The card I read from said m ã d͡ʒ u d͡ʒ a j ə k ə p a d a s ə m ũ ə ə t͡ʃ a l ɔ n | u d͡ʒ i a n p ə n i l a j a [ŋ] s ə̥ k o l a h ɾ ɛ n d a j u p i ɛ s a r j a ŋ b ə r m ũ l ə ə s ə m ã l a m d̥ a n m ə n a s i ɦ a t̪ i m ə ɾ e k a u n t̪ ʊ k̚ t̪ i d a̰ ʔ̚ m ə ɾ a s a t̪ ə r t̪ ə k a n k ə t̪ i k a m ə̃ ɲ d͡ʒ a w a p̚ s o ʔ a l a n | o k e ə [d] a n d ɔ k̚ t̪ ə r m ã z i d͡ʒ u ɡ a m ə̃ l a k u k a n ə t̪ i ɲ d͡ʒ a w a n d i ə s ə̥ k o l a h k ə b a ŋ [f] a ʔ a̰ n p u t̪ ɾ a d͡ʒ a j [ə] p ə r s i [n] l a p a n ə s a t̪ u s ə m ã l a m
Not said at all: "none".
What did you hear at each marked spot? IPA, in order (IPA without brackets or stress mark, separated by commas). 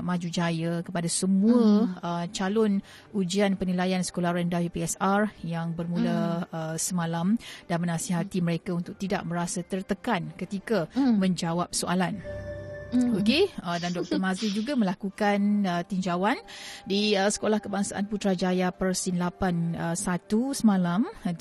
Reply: n, d, s, a, n